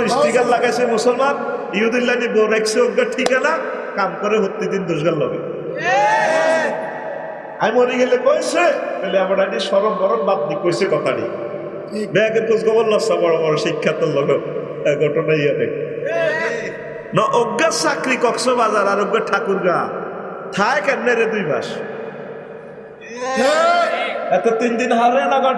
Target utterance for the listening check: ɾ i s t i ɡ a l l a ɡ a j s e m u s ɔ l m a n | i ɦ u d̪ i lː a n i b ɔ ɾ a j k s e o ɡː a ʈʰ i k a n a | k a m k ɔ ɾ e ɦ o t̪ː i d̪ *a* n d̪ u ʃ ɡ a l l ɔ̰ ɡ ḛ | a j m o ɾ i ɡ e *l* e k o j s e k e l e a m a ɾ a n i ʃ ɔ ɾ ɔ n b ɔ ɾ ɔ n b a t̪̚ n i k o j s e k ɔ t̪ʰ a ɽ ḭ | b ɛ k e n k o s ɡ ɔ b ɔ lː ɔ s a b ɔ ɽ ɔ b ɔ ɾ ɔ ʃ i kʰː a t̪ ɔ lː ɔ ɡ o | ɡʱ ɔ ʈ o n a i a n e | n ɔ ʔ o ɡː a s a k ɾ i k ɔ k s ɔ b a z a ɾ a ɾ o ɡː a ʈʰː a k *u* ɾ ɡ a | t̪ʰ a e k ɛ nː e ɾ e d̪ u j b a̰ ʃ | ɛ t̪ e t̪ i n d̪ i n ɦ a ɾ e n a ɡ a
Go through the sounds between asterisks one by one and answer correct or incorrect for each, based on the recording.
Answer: incorrect: i, correct, correct

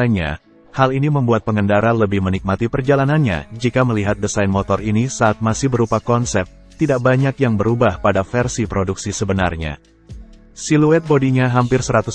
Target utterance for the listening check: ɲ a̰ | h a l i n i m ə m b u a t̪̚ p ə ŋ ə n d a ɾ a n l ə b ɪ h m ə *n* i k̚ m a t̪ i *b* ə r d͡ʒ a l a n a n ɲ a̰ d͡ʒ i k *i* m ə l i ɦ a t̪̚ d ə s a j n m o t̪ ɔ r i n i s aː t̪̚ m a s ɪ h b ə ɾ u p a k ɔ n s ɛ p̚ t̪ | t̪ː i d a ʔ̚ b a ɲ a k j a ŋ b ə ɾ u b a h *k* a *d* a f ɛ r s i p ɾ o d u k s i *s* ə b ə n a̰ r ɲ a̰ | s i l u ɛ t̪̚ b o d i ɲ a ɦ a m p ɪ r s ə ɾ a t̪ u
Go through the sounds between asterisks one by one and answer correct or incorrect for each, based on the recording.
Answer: correct, incorrect: p, incorrect: a, incorrect: p, correct, correct

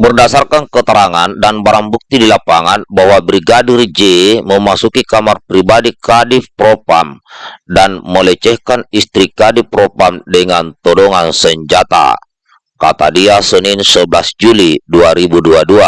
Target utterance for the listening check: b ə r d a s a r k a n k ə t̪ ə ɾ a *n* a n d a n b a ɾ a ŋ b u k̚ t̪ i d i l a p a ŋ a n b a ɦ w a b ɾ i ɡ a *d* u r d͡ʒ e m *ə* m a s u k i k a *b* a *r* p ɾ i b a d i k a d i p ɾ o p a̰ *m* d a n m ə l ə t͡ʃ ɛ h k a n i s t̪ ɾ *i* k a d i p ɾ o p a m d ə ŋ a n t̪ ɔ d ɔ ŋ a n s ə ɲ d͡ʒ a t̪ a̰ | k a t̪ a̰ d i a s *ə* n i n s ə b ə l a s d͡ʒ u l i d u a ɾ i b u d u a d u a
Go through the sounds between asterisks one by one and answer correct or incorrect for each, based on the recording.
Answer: incorrect: ŋ, correct, correct, incorrect: m, correct, correct, correct, correct

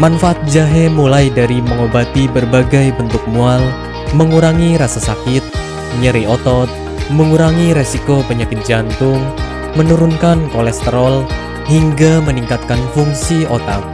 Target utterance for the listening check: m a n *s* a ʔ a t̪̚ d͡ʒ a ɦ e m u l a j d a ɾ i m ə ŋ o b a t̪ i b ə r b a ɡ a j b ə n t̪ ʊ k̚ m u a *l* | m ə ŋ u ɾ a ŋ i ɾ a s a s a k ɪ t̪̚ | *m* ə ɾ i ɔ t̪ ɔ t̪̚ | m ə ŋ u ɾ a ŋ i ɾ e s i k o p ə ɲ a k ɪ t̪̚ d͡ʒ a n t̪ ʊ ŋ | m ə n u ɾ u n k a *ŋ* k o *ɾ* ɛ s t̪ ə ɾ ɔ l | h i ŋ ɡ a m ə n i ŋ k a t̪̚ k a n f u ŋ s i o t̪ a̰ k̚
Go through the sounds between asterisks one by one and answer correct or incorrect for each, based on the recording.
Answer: incorrect: f, correct, incorrect: ɲ, incorrect: n, incorrect: l

